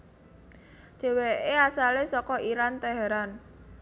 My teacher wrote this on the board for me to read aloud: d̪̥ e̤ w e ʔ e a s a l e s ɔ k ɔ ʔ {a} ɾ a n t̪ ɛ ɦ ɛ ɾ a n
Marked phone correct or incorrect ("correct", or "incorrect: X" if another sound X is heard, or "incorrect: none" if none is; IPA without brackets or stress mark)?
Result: incorrect: i